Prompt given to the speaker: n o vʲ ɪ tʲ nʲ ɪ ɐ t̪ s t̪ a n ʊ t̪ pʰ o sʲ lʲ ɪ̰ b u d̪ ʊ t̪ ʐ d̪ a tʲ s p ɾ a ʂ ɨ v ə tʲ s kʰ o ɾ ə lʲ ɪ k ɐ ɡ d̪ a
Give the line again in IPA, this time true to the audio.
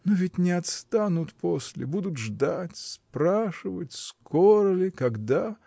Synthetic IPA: n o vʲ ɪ tʲ nʲ ɪ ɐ t̪ s t̪ a n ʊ t̪ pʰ o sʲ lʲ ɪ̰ b u d̪ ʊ t̪ ʐ d̪ a tʲ s p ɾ a ʂ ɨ v ə tʲ s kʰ o ɾ ə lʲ ɪ k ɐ ɡ d̪ a